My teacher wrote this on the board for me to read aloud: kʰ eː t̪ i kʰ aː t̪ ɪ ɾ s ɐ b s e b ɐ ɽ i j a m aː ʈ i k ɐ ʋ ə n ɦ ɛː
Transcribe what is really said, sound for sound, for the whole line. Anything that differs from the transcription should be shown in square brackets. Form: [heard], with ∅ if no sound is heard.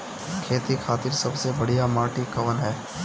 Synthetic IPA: kʰ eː t̪ i kʰ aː t̪ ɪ ɾ s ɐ b s e b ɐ ɽ i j a m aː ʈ i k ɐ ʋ ə n ɦ ɛː